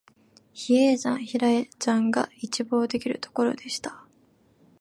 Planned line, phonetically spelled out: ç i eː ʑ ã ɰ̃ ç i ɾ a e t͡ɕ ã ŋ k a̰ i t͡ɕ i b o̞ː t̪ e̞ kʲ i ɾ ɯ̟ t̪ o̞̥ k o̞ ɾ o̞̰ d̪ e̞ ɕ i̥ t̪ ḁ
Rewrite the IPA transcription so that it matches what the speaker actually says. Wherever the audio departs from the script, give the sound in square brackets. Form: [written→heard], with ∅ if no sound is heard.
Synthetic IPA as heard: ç i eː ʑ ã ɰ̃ ç i ɾ a e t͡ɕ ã ŋ [k→ɡ] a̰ i t͡ɕ i b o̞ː [t̪→d̪] e̞ kʲ i ɾ ɯ̟ t̪ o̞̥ k o̞ ɾ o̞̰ d̪ e̞ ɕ i̥ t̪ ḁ